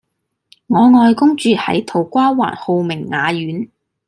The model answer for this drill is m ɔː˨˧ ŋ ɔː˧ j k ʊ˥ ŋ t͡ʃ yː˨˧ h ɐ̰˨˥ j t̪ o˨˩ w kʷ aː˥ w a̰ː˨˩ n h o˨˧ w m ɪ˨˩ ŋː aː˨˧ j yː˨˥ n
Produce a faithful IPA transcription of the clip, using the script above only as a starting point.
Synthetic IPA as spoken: ŋ ɔː˨˧ ŋ ɔː˧ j k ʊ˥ ŋ t͡ʃ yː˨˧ h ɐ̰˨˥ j t̪ʰ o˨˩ w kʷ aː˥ w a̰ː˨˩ n h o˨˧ w m ɪ˨˩ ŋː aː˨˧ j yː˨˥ n

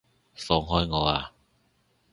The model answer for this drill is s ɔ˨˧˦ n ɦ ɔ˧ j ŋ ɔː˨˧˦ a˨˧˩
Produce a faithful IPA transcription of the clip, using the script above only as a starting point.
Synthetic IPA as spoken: s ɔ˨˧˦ ŋ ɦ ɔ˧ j ŋ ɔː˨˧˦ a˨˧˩

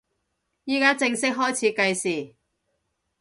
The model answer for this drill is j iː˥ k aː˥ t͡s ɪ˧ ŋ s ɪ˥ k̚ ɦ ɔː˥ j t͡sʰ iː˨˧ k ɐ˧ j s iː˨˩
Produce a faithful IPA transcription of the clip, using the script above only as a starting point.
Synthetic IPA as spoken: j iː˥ k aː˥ t͡s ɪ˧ ŋ s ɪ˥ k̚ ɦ ɔː˥ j t͡sʰ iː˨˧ k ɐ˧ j s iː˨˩

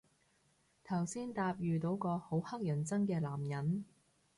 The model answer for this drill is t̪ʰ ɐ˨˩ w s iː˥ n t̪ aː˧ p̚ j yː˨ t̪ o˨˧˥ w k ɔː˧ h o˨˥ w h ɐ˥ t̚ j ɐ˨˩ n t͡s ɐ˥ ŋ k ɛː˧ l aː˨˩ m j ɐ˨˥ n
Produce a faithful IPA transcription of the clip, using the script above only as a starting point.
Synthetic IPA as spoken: t̪ʰ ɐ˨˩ w s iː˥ n t̪ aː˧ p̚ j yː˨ t̪ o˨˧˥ w k ɔː˧ h o˨˥ w h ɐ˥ k̚ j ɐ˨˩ n t͡s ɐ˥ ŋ k ɛː˧ l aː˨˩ m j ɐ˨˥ n

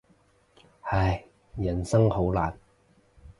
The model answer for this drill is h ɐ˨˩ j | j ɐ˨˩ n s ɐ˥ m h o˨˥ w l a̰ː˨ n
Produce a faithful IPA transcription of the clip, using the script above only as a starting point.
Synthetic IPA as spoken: h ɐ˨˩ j | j ɐ˨˩ n s ɐ˥ ŋ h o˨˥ w l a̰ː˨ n

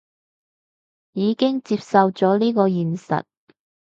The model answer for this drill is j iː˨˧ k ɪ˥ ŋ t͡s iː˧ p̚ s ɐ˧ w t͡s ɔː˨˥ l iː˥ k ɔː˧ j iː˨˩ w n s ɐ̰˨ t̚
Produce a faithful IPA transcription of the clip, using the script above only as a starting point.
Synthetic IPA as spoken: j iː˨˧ k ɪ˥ ŋ t͡s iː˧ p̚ s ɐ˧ w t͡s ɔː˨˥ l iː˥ k ɔː˧ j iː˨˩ n s ɐ̰˨ t̚

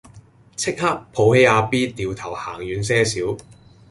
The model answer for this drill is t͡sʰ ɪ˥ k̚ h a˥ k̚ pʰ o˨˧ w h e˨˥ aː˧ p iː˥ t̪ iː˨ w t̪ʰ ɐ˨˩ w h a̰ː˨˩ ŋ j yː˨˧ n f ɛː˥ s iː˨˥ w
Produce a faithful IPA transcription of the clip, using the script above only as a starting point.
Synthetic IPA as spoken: t͡sʰ ɪ˥ k̚ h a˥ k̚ pʰ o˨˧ w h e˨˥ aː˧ p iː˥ t̪ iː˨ w t̪ʰ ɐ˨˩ w h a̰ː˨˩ ŋ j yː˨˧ n s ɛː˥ s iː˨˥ w

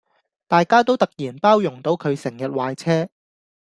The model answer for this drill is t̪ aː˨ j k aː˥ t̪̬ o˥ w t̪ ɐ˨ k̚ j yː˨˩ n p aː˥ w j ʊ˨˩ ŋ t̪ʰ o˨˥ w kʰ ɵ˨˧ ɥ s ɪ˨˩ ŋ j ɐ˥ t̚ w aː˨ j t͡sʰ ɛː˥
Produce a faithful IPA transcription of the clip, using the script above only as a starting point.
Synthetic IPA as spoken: t̪ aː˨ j k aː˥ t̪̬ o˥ w t̪ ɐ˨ k̚ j iː˨˩ n p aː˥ w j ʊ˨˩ ŋ t̪ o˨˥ w kʰ ɵ˨˧ ɥ s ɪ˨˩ ŋ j ɐ˨ t̚ w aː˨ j t͡sʰ ɛː˥

